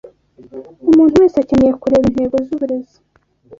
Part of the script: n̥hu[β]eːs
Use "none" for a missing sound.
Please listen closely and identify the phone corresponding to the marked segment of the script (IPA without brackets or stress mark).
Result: w